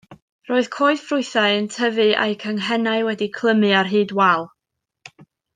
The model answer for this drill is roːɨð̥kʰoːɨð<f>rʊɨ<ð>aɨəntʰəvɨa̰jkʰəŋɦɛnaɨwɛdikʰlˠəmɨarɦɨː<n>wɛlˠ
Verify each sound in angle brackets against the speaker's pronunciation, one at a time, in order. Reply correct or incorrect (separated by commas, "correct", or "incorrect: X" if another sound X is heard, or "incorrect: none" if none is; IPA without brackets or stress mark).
correct, incorrect: θ, incorrect: d